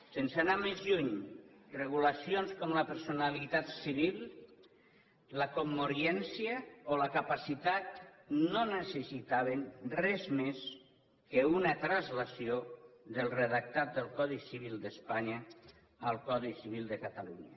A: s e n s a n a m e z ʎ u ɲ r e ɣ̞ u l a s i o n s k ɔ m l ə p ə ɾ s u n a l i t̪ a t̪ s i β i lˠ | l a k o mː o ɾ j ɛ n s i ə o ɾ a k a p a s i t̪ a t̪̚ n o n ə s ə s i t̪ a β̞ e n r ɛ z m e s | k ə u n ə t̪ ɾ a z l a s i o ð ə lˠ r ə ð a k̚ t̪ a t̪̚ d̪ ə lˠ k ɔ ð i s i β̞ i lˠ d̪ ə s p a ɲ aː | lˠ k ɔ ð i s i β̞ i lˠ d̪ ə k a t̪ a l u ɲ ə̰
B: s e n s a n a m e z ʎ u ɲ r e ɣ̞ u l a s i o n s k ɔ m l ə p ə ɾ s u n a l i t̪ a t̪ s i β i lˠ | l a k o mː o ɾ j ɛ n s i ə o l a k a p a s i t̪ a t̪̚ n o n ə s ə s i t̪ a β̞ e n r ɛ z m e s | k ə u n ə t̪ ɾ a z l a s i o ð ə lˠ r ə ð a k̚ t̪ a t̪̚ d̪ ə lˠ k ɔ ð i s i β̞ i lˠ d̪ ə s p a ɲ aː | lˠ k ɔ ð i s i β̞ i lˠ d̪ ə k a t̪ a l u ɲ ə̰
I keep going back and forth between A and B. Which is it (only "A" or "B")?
B